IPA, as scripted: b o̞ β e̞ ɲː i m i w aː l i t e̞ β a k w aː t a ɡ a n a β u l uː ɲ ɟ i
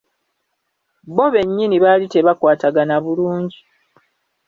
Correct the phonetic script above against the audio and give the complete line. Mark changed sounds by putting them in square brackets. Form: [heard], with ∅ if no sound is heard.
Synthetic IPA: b o̞ β e̞ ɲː i [n] i [β] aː l i t e̞ β a k w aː t a ɡ a n a β u l uː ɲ ɟ i